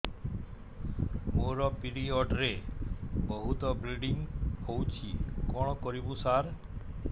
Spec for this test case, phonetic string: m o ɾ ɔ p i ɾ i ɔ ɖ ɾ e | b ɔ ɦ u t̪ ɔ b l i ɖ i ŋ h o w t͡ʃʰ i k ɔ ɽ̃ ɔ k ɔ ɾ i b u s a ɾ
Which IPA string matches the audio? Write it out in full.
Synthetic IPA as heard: m o ɾ ɔ p i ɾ i ɔ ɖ ɾ e | b ɔ ɦ u t̪ ɔ b ɾ i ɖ i ŋ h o w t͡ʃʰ i k ɔ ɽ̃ ɔ k ɔ ɾ i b u s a ɾ